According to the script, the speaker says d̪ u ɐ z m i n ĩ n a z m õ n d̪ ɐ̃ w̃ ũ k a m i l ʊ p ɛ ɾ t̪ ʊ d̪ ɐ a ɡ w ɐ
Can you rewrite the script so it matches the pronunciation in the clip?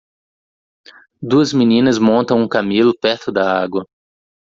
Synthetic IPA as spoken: d̪ u ɐ z m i n ĩ n ɐ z m õ n t̪ ɐ̃ w̃ ũ k a m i l ʊ p ɛ ɾ t̪ ʊ d̪ ɐ a ɡ w ɐ

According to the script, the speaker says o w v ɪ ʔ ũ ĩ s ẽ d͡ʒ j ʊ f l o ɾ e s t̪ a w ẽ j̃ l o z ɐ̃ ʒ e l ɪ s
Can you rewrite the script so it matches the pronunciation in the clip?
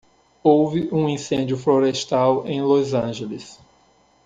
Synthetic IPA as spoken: o w v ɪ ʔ ũ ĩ s ẽ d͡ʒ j ʊ f l o ɾ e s t̪ a w ẽ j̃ l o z ɐ̃ ʒ e l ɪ s

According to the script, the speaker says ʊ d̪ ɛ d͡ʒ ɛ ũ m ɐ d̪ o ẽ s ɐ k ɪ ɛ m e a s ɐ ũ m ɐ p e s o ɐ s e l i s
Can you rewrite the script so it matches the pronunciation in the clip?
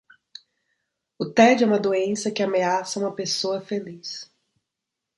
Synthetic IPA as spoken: ʊ t̪ ɛ d͡ʒ ɛ ũ m ɐ d̪ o ẽ s ɐ k ɪ a m e a s ɐ ũ m ɐ p e s o ɐ f e l i s

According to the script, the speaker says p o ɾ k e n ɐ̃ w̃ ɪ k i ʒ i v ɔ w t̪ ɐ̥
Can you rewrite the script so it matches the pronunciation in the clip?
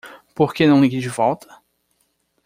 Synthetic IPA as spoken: p o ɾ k e n ɐ̃ w̃ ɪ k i d͡ʒ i v ɔ w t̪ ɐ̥

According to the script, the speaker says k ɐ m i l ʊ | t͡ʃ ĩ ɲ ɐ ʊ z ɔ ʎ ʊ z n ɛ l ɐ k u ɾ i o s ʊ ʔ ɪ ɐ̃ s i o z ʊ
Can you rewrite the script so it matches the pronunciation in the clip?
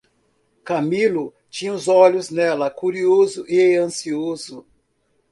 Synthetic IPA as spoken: k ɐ m i l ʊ | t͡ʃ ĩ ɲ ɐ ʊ z ɔ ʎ ʊ z n ɛ l ɐ k u ɾ i o z ʊ ʔ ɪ ɐ̃ s i o z ʊ

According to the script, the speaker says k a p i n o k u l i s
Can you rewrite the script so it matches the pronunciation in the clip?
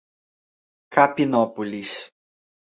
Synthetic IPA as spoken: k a p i n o p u l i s

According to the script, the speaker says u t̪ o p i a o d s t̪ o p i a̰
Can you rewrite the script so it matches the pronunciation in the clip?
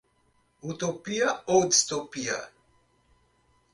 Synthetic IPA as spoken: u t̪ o p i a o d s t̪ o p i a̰

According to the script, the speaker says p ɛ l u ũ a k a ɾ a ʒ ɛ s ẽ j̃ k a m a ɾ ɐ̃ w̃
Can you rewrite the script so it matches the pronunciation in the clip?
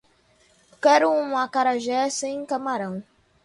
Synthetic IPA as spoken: k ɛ ɾ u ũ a k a ɾ a ʒ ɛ s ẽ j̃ k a m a ɾ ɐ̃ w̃

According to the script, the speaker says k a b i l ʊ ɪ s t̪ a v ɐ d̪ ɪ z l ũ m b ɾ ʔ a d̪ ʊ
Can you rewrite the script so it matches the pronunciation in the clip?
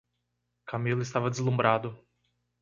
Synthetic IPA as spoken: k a m i l ʊ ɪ s t̪ a v ɐ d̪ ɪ z l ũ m b ɾ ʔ a d̪ ʊ

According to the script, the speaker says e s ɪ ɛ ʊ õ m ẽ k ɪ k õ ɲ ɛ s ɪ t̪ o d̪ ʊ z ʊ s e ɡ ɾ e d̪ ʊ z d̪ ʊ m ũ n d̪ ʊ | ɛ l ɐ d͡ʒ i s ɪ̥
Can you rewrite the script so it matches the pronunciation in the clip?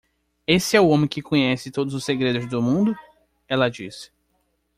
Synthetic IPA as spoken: e s ɪ ɛ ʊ õ m ẽ k ɪ k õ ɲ ɛ s ɪ t̪ o d̪ ʊ z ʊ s e ɡ ɾ e d̪ ʊ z d̪ ʊ m ũ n d̪ ʊ | ɛ l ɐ d͡ʒ i s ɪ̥

